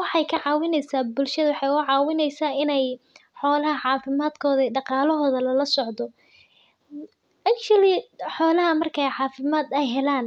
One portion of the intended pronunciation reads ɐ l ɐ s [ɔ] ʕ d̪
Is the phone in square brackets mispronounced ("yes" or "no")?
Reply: no